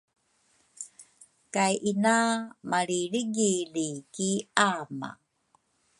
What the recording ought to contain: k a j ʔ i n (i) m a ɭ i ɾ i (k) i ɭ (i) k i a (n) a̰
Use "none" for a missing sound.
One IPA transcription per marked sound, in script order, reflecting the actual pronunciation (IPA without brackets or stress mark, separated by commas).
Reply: a, ɡ, i, m